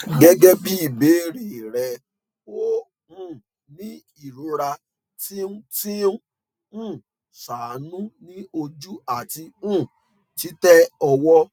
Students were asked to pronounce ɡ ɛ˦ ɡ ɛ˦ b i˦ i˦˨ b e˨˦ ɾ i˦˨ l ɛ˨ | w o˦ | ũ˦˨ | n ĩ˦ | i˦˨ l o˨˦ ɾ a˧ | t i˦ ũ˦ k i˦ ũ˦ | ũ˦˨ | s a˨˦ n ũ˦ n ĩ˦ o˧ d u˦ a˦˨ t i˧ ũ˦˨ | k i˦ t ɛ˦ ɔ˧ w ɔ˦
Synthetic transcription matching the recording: ɡ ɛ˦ ɡ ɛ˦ b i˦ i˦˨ b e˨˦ ɾ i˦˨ ɾ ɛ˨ | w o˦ | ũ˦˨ | n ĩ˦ | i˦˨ ɾ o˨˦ ɾ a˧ | t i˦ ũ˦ t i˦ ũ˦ | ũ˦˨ | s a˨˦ n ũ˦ n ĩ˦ o˧ d͡ʒ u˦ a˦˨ t i˧ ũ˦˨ | t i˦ t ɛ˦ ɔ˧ w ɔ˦